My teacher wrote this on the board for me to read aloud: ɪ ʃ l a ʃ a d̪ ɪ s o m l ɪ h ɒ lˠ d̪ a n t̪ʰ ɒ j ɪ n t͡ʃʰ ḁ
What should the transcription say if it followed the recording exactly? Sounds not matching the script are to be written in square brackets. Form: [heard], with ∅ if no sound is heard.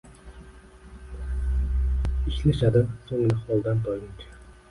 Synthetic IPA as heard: ɪ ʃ l a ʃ a d̪ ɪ s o [ŋ] l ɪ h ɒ lˠ d̪ a n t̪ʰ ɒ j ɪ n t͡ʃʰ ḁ